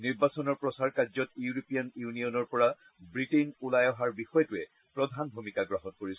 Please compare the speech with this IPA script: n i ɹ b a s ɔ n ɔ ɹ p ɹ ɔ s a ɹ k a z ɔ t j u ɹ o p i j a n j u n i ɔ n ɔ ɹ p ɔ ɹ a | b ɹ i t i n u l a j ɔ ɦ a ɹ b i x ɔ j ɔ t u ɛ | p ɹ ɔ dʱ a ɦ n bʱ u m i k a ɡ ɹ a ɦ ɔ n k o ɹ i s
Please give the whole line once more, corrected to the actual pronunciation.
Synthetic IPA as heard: n i ɹ b a s ɔ n ɔ ɹ p ɹ ɔ s a ɹ k a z ɔ t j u ɹ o p i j a n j u n i ɔ n ɔ ɹ p ɔ ɹ a | b ɹ i t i n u l a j ɔ ɦ a ɹ b i x ɔ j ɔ t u ɛ | p ɹ ɔ dʱ a n bʱ u m i k a ɡ ɹ a ɦ ɔ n k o ɹ i s

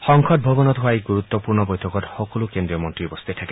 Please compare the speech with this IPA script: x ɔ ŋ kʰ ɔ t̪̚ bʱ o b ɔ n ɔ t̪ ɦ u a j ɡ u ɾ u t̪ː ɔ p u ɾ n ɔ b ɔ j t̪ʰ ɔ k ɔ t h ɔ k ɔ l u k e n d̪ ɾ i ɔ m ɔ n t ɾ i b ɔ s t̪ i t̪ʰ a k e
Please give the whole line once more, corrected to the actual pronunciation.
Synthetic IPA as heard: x ɔ ŋ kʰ ɔ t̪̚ bʱ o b ɔ n ɔ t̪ ɦ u a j ɡ u ɾ u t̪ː ɔ p u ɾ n ɔ b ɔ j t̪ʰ ɔ k ɔ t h ɔ k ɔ l u k e n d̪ ɾ i ɔ m ɔ n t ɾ i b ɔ s t̪ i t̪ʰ a k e

